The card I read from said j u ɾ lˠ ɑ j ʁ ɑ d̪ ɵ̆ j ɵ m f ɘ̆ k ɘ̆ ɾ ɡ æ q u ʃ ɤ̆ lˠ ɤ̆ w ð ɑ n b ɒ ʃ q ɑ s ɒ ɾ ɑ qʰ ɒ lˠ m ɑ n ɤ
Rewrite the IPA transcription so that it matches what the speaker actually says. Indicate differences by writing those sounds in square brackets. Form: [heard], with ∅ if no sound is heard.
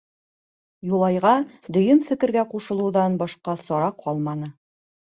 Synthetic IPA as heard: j u [∅] lˠ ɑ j ʁ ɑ d̪ ɵ̆ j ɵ m f ɘ̆ k ɘ̆ ɾ ɡ æ q u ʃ ɤ̆ lˠ ɤ̆ w ð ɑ n b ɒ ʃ q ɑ s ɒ ɾ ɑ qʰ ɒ lˠ m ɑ n ɤ